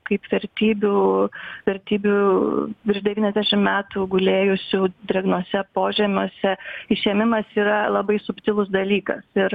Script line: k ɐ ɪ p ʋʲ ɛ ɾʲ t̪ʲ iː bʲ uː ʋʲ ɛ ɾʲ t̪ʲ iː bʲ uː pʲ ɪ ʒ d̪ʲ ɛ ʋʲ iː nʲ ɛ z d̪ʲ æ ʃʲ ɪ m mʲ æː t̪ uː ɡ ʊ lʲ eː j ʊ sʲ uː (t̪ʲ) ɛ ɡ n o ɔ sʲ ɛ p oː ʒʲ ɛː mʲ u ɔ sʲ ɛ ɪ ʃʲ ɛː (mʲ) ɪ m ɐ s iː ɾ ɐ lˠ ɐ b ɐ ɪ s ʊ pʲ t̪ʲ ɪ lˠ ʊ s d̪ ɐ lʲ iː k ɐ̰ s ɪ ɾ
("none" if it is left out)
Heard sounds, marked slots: d̪ʲ, mʲ

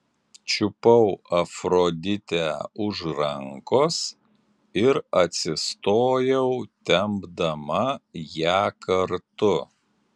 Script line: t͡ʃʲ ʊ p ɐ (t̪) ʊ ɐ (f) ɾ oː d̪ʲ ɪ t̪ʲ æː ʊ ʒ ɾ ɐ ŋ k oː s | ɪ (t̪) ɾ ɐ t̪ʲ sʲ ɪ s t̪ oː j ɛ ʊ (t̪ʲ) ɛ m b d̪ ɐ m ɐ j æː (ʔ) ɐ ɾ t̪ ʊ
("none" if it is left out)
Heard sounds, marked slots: none, f, none, t̪ʲ, k

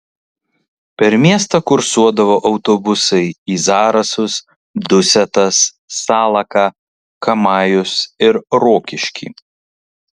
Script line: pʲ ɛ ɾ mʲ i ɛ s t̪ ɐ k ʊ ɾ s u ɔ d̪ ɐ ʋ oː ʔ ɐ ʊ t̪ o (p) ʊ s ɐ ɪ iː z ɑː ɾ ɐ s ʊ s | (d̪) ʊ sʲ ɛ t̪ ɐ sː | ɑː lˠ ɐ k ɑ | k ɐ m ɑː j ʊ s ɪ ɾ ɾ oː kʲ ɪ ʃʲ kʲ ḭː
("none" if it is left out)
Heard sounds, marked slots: b, d̪

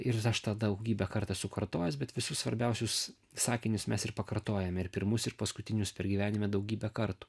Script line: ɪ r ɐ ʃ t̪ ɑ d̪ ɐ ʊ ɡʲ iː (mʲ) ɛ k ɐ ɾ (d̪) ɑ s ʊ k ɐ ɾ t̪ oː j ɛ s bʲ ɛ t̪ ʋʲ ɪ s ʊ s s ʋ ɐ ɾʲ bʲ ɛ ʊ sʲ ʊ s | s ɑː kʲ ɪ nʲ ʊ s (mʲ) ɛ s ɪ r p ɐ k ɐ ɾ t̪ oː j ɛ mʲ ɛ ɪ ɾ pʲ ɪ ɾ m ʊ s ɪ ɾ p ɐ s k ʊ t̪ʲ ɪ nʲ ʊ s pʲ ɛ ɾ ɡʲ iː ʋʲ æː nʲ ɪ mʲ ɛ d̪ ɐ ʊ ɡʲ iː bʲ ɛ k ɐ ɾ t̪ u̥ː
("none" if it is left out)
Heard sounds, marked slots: bʲ, t̪, mʲ

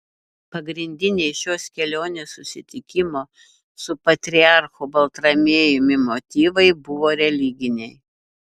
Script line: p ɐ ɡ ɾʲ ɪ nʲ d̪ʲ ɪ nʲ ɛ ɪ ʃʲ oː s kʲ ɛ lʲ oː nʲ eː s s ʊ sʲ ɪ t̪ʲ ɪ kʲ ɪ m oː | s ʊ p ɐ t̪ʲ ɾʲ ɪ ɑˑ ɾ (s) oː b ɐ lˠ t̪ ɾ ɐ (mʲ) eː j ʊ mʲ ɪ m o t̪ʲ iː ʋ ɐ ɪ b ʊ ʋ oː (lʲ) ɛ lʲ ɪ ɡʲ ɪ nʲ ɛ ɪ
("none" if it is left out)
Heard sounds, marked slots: x, mʲ, ɾʲ

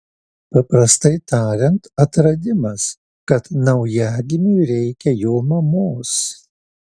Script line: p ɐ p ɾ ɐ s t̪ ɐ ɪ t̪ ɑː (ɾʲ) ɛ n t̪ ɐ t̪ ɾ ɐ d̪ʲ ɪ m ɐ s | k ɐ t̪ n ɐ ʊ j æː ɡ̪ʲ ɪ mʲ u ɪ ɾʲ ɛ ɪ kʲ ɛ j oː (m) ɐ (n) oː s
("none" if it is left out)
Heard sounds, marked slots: ɾʲ, m, m

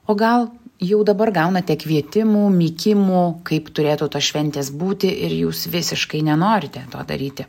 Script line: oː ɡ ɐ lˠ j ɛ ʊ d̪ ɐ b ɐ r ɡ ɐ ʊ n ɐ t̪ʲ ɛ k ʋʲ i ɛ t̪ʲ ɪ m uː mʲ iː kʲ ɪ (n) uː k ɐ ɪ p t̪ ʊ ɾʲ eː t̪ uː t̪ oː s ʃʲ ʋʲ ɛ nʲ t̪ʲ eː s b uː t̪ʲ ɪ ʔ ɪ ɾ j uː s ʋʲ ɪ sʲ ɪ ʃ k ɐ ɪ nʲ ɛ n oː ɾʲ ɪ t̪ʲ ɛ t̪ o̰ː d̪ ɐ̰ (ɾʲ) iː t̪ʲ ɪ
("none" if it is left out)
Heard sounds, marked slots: m, ɾʲ

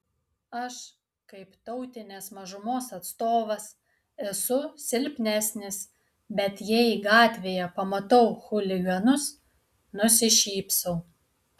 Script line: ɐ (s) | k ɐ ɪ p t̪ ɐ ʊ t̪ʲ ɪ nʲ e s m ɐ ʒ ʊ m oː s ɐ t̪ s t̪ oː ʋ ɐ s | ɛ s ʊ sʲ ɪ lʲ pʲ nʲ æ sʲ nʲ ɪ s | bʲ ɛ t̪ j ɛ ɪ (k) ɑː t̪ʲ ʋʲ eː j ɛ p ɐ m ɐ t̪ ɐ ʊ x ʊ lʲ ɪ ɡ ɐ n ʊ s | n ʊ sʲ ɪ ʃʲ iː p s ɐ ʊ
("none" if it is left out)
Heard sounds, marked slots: ʃ, ɡ

